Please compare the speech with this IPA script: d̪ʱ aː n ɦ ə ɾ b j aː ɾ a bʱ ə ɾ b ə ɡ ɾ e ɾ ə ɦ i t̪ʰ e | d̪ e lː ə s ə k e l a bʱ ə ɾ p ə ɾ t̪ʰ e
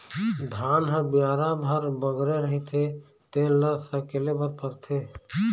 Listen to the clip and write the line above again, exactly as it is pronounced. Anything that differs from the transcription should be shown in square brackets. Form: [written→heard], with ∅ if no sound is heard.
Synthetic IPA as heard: d̪ʱ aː n ɦ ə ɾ b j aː ɾ a bʱ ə ɾ b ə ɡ ɾ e ɾ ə ɦ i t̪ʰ e | [d̪→t̪] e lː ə s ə k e l [a→e] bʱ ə ɾ p ə ɾ t̪ʰ e